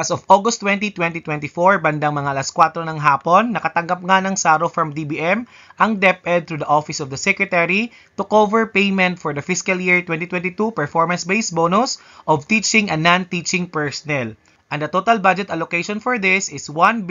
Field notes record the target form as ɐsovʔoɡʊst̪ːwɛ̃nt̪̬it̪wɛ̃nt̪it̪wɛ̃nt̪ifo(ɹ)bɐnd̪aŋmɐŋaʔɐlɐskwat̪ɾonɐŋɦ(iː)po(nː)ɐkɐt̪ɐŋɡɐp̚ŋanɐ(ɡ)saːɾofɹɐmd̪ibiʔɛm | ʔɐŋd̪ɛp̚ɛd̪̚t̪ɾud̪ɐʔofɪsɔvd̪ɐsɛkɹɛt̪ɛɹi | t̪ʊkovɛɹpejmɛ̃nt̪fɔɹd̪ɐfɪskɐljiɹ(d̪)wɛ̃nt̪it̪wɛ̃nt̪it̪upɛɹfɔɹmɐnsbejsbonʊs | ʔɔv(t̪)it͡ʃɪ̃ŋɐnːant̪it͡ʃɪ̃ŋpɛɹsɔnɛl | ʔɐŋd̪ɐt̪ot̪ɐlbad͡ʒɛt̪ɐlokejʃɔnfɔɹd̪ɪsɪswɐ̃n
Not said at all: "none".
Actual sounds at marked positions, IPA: ɹ, aː, nː, ŋ, t̪, t̪

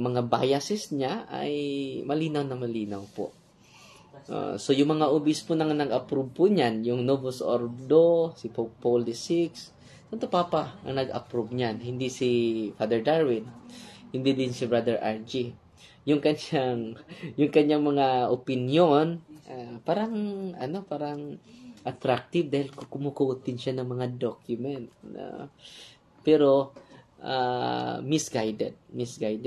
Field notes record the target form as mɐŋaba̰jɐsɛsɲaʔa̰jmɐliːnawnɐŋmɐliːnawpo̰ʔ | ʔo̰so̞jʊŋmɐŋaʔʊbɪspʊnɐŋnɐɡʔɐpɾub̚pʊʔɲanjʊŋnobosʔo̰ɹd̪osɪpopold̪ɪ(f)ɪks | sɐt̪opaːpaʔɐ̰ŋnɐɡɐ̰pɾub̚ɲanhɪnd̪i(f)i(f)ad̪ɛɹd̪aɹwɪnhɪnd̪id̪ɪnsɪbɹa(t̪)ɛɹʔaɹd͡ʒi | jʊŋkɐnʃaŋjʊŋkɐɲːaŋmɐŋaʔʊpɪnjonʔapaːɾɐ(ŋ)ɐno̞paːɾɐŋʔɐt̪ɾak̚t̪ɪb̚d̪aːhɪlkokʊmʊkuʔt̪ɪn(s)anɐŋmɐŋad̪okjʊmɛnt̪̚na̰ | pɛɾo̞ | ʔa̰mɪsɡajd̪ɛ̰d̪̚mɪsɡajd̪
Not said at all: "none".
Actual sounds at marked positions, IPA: s, s, f, d̪, ŋ, ʃ

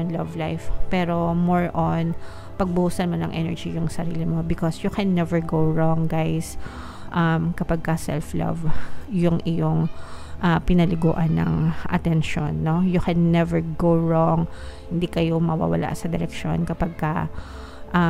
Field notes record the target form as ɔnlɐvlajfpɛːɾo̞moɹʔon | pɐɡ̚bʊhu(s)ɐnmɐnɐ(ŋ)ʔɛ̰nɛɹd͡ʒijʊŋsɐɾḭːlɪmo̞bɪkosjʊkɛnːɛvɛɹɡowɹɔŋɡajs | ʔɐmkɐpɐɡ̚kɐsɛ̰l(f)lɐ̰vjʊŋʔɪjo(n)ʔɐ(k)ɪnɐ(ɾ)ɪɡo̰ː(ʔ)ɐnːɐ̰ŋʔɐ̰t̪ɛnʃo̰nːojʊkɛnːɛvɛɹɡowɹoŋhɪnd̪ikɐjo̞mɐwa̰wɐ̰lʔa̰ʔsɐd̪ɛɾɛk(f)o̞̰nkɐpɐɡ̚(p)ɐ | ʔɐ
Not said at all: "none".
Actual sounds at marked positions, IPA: s, ŋ, f, ŋ, p, l, ʔ, ʃ, k

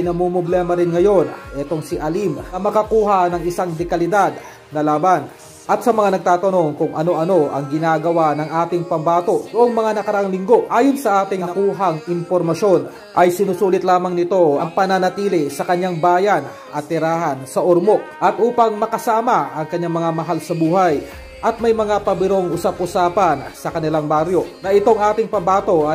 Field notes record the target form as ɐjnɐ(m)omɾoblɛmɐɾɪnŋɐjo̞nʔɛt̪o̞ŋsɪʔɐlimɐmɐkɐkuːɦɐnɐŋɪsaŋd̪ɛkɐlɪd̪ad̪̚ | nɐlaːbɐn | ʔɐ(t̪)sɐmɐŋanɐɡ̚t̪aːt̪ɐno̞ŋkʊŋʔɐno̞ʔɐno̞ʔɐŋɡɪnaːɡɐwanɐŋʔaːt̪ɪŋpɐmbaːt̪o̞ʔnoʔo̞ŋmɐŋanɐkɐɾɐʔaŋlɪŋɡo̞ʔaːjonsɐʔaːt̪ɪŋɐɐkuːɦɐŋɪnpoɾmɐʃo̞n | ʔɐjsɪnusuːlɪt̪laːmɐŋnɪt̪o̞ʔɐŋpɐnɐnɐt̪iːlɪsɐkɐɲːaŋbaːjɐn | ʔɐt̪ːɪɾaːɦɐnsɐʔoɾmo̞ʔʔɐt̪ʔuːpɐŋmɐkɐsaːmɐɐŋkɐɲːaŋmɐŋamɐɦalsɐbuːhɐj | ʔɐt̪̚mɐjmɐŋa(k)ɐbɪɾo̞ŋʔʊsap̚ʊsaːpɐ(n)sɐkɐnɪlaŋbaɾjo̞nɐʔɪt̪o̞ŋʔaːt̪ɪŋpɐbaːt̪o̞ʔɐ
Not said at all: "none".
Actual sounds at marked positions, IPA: m, t̪, p, n

